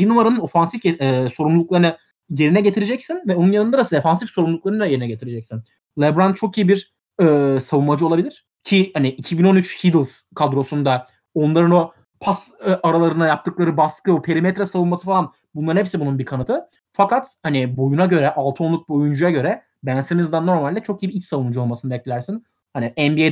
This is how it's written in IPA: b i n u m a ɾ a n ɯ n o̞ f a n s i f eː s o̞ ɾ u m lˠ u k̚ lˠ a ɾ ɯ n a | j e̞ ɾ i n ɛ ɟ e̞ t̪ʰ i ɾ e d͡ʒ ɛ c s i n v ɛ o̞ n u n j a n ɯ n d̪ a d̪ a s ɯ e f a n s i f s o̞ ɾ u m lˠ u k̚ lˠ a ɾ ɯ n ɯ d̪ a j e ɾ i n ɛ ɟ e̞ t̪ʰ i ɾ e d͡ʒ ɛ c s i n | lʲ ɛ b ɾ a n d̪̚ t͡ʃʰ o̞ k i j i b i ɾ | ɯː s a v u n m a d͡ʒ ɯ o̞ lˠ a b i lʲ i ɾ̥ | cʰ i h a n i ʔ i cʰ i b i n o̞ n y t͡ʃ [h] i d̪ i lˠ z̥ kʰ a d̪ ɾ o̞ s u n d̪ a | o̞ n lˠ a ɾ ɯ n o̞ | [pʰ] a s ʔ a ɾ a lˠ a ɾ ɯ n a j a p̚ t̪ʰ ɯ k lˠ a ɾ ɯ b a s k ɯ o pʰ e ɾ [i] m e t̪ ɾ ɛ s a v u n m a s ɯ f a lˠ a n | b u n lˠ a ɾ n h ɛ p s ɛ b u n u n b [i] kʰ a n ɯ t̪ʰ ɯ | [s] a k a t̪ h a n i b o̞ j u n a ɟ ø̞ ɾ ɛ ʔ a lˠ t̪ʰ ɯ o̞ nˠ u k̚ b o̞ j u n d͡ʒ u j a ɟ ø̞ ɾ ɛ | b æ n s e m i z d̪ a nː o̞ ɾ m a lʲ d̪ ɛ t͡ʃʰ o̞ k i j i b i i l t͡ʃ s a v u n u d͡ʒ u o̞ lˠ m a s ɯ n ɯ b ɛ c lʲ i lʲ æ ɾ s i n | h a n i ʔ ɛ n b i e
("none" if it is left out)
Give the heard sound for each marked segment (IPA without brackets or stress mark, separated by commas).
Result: h, pʰ, i, i, f